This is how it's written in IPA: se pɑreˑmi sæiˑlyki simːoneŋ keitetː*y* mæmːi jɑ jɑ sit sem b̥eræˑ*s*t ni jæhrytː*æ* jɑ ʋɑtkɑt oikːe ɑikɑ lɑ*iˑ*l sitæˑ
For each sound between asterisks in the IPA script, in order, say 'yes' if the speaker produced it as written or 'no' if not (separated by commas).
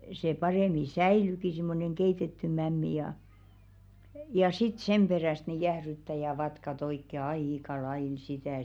yes, yes, yes, yes